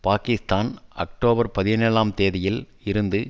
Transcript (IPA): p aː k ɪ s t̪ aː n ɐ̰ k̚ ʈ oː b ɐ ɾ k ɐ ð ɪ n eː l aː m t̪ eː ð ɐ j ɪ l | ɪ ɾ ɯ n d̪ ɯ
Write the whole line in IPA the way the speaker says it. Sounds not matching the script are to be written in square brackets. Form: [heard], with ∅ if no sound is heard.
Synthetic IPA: p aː k ɪ s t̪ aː n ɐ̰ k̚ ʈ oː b ɐ ɾ [p] ɐ ð ɪ n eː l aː m t̪ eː ð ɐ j ɪ l | ɪ ɾ ɯ n d̪ ɯ